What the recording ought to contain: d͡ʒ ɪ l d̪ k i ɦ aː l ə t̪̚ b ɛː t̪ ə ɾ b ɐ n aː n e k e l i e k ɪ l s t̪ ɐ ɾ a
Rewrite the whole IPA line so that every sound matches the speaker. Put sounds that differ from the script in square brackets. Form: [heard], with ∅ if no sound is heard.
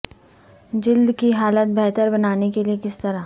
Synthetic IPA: d͡ʒ ɪ l d̪ k i ɦ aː l ə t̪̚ b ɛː t̪ ə ɾ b ɐ n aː n e k e l i e k ɪ [∅] s t̪ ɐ ɾ a

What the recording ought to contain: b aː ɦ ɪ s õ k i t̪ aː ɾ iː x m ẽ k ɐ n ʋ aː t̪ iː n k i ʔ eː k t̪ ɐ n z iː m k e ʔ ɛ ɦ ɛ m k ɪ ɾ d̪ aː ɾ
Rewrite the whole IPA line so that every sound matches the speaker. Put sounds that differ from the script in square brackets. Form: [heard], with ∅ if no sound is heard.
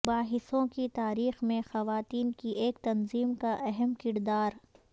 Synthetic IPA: b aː ɦ ɪ s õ k i t̪ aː ɾ iː x m ẽ [x] ɐ [∅] ʋ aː t̪ iː n k i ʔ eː k t̪ ɐ n z iː m k [a] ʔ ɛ ɦ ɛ m k ɪ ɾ d̪ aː ɾ

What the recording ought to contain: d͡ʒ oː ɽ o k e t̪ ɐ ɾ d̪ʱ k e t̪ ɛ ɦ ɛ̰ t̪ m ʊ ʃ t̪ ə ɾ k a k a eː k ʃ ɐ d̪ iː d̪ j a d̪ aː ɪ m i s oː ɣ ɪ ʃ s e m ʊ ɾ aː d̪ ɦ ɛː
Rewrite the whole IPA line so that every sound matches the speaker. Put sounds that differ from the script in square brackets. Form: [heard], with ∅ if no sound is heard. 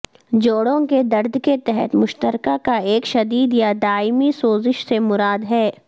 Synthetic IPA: d͡ʒ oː ɽ [õ] k e [d̪] ɐ ɾ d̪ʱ k e t̪ ɛ ɦ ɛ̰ t̪ m ʊ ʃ t̪ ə ɾ k a k a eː k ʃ ɐ d̪ iː d̪ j a d̪ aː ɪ m i s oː [z] ɪ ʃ s e m ʊ ɾ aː d̪ ɦ ɛː

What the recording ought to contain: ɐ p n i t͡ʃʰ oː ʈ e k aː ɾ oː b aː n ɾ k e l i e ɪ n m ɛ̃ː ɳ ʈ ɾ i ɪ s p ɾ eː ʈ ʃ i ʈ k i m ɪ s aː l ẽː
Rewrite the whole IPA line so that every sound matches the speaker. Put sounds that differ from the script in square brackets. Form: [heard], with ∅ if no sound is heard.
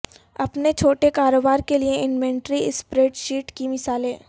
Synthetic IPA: ɐ p n [e] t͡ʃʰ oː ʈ e k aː ɾ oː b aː [∅] ɾ k e l i e ɪ n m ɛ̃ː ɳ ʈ ɾ i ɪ s p ɾ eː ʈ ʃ [iː] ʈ k i m ɪ s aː l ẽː

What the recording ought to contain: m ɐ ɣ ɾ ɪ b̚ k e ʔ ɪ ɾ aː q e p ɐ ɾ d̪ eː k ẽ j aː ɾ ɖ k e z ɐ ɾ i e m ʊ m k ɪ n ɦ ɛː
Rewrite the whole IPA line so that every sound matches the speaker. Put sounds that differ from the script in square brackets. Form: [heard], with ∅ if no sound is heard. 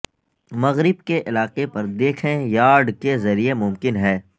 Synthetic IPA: m ɐ ɣ ɾ ɪ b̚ k e ʔ ɪ [l] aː q e p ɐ ɾ d̪ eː [kʰ] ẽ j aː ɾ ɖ k e z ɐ ɾ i e m ʊ m k ɪ n ɦ ɛː

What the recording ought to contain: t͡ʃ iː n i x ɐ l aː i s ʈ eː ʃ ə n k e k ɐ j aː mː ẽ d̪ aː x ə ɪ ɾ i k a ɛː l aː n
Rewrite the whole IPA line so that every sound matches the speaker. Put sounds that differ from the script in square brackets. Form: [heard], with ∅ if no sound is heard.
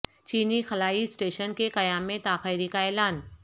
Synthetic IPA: t͡ʃ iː n i x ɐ l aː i s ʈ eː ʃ ə n k e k ɐ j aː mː ẽ [t̪] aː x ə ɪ ɾ i k a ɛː l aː n

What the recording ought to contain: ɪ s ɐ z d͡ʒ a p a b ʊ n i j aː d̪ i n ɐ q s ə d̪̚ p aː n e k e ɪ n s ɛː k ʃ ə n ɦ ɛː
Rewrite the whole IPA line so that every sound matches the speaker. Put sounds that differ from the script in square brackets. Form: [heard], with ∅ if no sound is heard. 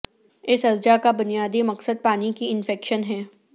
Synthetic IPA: ɪ s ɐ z d͡ʒ a [k] a b ʊ n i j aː d̪ i [m] ɐ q s ə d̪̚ p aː n [i] k [i] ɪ n [f] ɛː k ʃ ə n ɦ ɛː

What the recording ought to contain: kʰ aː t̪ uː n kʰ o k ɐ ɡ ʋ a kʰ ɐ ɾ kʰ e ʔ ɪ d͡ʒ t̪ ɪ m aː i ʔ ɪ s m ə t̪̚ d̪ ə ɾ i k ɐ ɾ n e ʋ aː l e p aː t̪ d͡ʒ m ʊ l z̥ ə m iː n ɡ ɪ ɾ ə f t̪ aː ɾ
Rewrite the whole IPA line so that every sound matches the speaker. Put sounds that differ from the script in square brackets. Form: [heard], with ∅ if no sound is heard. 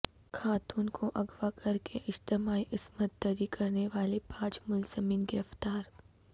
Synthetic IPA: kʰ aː t̪ uː n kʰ o [ʔ] ɐ ɡ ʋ a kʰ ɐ ɾ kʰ e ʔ ɪ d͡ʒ t̪ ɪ m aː i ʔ ɪ s m ə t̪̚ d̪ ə ɾ i k ɐ ɾ n e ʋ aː l e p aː [∅] d͡ʒ m ʊ l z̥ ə m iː n ɡ ɪ ɾ ə f t̪ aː ɾ

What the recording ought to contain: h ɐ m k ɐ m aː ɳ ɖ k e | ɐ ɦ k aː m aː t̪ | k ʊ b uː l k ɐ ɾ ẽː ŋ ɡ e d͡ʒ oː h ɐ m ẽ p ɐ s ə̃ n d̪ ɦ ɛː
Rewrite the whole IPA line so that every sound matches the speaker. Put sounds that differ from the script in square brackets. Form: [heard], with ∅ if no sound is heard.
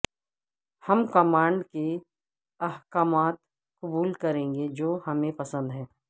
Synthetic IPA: h ɐ m k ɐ m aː ɳ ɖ k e | ɐ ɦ k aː m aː t̪ | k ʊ b uː l k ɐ ɾ ẽː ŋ ɡ e d͡ʒ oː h ɐ m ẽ p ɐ s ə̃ n d̪ ɦ ɛː

